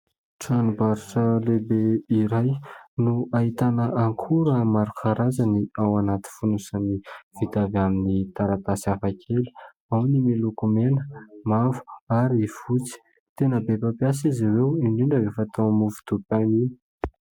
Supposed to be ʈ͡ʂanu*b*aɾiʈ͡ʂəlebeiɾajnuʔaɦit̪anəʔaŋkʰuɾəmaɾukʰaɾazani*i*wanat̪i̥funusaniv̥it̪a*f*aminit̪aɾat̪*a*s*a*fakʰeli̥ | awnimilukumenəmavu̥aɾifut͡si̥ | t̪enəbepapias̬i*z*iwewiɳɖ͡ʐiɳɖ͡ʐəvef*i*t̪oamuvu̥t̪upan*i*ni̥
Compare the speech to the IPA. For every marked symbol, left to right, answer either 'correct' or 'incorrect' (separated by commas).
correct, incorrect, incorrect, correct, correct, correct, incorrect, correct